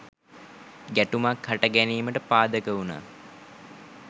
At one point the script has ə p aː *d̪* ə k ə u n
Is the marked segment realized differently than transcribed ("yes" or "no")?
no